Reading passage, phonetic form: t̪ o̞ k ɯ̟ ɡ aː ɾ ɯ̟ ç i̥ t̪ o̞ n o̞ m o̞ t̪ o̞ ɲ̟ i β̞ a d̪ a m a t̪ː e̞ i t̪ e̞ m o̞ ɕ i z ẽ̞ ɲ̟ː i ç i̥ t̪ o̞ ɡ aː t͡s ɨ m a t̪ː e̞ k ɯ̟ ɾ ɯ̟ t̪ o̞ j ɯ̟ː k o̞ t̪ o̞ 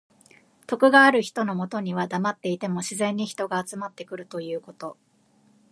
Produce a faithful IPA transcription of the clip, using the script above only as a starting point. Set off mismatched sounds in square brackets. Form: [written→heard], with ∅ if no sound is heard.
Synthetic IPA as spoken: t̪ o̞ k ɯ̟ ɡ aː ɾ ɯ̟ ç i̥ t̪ o̞ n o̞ m o̞ t̪ o̞ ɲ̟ i β̞ a d̪ a m a t̪ː e̞ i t̪ e̞ m o̞ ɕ i z ẽ̞ ɲ̟ː i ç i̥ t̪ o̞ ɡ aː t͡s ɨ m a t̪ː e̞ k ɯ̟ ɾ ɯ̟ t̪ o̞ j ɯ̟ː k o̞ t̪ o̞